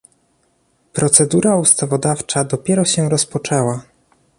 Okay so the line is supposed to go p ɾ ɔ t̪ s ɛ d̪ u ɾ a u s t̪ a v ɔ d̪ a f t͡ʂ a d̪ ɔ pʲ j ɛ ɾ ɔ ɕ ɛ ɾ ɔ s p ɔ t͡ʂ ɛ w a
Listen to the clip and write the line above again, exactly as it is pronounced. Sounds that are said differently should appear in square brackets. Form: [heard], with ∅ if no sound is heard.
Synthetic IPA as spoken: p ɾ ɔ t̪ s ɛ d̪ u ɾ a u s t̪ a v ɔ d̪ a f t͡ʂ a d̪ ɔ pʲ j ɛ ɾ ɔ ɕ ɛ ɾ ɔ s p ɔ t͡ʂ ɛ w a